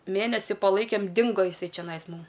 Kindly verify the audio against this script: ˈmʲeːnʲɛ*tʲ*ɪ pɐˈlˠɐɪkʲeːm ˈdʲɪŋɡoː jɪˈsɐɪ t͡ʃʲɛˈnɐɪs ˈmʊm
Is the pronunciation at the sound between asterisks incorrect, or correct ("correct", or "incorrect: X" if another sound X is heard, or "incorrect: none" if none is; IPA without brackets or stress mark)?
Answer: incorrect: sʲ